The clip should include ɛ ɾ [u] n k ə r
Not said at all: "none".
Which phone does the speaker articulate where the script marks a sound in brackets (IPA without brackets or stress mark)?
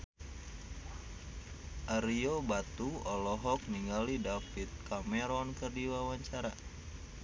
ɔ